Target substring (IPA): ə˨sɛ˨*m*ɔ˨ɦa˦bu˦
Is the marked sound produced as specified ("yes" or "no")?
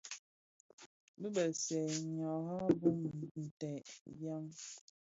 no